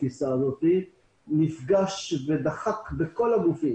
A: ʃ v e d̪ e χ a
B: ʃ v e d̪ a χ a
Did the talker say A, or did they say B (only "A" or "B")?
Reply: B